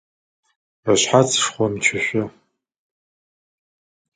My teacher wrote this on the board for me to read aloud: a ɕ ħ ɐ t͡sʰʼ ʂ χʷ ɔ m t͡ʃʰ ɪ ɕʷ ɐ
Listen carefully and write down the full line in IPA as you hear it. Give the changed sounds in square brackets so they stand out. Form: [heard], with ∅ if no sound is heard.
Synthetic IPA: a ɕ ħ [a] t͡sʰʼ ʂ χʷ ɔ m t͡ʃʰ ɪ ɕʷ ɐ